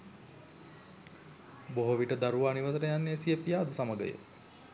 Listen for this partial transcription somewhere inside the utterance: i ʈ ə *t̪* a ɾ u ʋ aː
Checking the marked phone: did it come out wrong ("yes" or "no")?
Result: yes